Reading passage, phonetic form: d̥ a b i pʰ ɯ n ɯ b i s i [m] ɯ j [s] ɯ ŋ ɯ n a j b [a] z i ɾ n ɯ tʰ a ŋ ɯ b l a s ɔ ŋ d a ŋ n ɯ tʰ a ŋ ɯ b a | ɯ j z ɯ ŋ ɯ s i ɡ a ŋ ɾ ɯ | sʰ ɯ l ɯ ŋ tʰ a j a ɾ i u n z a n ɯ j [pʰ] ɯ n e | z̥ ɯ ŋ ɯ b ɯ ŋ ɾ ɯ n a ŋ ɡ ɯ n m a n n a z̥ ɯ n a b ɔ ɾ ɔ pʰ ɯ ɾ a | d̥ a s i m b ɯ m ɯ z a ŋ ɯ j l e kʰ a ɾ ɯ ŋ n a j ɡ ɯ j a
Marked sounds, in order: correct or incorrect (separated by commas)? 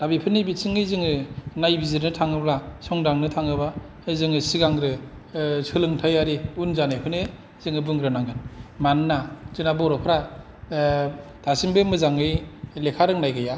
incorrect, incorrect, incorrect, correct